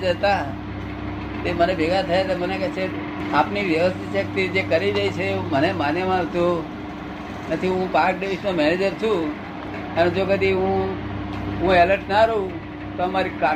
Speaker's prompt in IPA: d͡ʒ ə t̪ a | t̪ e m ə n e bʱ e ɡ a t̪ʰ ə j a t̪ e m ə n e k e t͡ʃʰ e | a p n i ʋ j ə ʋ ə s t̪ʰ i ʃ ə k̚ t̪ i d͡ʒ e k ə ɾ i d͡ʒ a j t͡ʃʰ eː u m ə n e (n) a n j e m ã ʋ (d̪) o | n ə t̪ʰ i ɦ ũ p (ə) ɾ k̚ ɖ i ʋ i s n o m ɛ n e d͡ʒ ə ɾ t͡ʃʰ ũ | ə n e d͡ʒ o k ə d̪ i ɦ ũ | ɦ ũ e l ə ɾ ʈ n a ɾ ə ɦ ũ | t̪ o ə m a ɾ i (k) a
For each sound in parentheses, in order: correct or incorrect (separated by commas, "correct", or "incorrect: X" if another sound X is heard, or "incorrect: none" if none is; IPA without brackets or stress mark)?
incorrect: m, incorrect: t̪, incorrect: a, correct